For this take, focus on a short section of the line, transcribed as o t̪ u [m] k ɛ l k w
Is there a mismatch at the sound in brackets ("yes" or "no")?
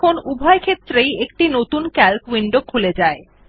yes